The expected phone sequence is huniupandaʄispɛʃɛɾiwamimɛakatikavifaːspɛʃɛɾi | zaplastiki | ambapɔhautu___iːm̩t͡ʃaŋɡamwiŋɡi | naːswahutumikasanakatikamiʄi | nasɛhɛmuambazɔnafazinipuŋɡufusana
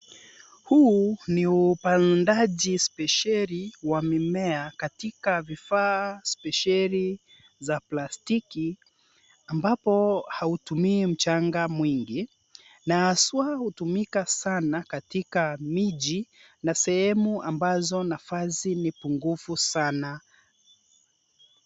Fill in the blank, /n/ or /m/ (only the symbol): m